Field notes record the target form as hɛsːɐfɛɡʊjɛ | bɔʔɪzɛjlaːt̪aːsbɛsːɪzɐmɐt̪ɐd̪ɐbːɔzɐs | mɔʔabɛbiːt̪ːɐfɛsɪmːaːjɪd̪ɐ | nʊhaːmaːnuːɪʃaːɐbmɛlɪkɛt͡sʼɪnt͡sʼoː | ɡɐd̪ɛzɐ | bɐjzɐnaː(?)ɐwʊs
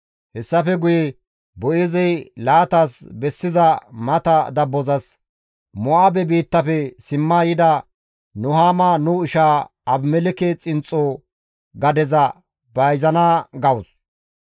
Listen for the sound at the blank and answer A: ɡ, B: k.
A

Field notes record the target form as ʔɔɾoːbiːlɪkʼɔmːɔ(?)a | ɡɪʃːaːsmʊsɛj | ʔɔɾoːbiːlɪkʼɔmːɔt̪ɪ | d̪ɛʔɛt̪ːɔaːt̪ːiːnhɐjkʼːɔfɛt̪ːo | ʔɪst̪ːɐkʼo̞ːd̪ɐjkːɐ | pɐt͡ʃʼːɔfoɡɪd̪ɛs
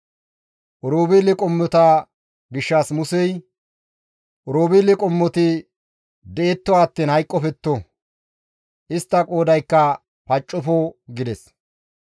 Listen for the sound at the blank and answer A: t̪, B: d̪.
A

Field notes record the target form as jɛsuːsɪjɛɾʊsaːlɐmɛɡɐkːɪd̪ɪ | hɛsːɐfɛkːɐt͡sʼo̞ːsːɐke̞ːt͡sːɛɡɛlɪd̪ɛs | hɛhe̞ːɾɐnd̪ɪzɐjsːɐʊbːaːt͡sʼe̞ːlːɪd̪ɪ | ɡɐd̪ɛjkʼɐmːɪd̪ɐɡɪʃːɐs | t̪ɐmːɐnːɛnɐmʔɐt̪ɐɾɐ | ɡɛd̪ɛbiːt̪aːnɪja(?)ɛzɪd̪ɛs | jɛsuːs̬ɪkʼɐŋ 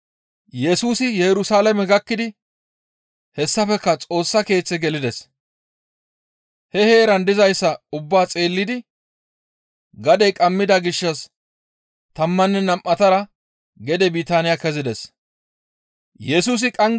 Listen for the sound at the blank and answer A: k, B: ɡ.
A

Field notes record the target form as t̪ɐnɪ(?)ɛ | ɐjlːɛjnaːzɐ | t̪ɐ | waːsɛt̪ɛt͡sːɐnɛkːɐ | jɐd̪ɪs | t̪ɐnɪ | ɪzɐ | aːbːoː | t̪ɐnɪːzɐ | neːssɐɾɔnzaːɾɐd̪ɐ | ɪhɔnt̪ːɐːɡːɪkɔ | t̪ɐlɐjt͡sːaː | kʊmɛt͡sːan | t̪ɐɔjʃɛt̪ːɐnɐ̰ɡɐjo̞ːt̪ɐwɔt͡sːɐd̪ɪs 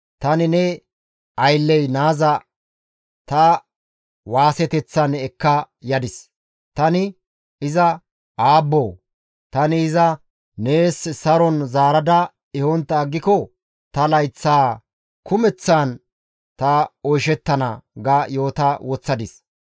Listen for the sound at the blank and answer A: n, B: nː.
A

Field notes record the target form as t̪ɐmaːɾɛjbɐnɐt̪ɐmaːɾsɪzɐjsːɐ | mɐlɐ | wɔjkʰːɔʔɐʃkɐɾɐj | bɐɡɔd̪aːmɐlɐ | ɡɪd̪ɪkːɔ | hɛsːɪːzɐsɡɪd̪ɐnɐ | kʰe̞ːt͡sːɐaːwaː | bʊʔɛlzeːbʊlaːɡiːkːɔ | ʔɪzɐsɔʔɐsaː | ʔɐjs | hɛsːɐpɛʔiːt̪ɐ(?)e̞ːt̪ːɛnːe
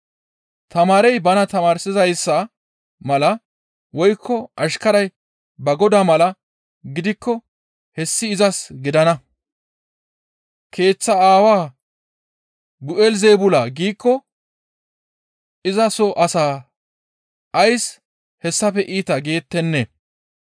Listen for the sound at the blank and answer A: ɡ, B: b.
A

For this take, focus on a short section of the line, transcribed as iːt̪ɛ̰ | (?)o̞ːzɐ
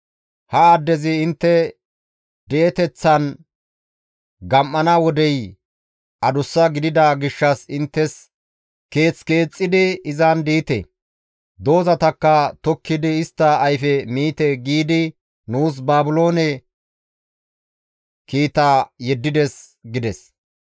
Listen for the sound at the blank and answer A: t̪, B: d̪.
B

